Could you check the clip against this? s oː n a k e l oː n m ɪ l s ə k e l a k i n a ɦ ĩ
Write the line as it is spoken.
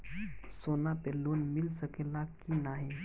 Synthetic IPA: s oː n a p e l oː n m ɪ l s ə k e l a k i n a ɦ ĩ